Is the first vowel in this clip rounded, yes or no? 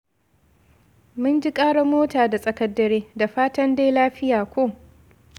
yes